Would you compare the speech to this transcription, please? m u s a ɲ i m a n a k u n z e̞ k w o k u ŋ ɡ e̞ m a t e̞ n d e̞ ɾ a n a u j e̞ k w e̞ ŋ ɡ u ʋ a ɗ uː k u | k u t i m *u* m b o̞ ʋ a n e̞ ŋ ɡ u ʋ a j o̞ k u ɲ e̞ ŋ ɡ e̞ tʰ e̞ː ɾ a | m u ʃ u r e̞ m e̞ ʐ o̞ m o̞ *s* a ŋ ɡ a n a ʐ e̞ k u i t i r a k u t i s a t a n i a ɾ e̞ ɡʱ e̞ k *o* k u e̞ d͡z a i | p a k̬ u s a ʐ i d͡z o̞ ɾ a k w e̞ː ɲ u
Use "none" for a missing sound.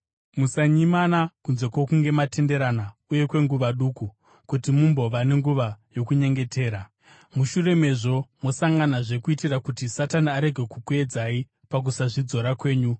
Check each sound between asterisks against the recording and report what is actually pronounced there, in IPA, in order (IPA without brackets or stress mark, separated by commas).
u, s, u